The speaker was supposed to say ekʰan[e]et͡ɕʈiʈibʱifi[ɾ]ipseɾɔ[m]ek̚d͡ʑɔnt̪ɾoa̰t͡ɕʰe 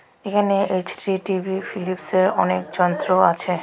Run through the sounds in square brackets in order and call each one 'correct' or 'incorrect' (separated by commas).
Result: correct, incorrect, incorrect